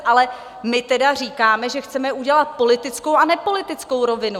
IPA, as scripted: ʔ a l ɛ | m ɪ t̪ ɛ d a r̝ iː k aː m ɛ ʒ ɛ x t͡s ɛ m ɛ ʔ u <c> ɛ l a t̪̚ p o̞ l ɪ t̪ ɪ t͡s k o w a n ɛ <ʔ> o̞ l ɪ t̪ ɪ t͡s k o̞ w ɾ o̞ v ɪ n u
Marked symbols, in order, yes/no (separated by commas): no, no